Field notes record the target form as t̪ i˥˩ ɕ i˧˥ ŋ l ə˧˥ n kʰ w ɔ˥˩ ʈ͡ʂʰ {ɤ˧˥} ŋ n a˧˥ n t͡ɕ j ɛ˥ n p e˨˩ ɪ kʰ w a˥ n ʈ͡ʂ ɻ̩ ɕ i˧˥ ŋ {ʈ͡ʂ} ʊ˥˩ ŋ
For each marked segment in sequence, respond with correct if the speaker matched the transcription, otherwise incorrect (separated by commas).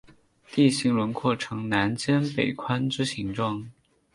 correct, correct